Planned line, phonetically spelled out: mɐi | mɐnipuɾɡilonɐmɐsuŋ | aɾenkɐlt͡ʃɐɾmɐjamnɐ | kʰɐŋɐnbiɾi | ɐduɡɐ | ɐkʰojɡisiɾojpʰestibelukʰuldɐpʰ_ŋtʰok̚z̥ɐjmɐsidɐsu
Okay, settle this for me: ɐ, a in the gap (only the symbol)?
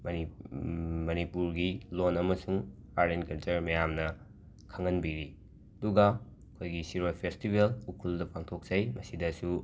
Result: a